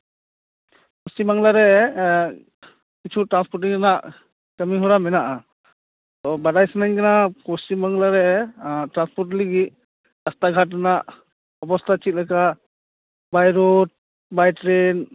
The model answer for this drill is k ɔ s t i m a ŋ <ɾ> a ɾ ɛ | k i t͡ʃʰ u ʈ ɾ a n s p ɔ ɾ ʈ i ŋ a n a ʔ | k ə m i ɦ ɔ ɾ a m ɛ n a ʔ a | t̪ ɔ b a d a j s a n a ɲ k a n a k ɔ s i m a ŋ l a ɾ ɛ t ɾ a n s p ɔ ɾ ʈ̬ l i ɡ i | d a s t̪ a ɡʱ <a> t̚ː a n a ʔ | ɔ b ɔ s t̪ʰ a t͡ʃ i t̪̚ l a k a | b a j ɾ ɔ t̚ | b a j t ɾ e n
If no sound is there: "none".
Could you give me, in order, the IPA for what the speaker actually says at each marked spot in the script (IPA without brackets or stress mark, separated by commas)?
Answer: l, a